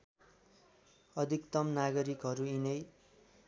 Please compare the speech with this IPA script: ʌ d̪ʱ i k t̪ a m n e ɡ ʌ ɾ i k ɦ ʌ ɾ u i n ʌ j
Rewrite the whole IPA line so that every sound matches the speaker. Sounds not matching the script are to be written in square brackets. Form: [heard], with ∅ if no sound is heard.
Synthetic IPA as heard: ʌ d̪ʱ i k t̪ [ʌ] m n [a] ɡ ʌ ɾ i k ɦ ʌ ɾ u i n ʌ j